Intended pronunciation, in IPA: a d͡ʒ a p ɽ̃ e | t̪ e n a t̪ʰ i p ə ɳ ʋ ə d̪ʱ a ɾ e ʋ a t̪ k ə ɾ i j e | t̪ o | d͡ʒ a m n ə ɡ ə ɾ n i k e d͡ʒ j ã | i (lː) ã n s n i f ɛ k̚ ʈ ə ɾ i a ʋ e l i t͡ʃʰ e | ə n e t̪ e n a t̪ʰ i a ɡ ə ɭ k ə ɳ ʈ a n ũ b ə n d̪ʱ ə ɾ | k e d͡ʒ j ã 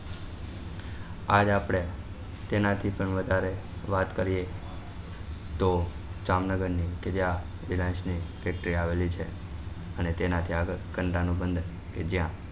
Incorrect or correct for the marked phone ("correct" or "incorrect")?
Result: incorrect